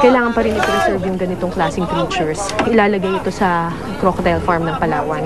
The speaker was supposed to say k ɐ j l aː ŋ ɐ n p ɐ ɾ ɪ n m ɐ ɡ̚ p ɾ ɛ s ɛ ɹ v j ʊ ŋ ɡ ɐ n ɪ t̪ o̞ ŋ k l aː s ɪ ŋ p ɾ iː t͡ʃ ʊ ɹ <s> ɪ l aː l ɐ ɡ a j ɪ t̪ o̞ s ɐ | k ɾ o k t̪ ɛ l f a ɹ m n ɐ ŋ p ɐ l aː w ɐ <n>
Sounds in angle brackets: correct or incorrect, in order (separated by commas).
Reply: correct, correct